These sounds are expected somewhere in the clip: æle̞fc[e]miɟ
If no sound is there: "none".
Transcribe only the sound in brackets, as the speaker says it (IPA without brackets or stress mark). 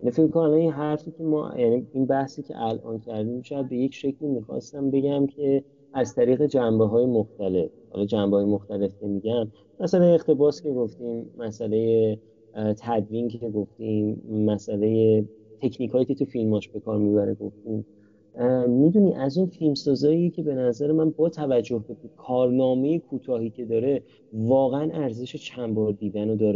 e